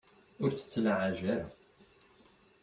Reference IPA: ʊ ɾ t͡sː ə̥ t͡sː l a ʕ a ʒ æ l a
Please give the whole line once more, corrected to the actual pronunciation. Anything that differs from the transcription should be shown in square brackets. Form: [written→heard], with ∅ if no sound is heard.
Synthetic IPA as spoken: ʊ ɾ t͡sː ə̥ t͡sː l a ʕ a ʒ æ [l→ɾ] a